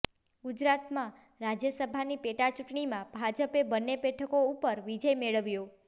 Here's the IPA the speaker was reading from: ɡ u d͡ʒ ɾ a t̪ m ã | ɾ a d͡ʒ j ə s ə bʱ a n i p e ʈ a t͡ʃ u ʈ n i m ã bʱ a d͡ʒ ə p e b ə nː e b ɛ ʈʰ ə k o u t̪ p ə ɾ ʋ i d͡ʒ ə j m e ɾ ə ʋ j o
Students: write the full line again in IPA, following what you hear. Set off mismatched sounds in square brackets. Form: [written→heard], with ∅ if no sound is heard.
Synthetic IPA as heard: ɡ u d͡ʒ ɾ a t̪ m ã | ɾ a d͡ʒ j ə s ə bʱ a n i p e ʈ a t͡ʃ u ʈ [n→ɳ] i m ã bʱ a d͡ʒ ə p e b ə nː e b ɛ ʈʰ ə k o u [t̪→∅] p ə ɾ ʋ i d͡ʒ ə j m e [ɾ→ɭ] ə ʋ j o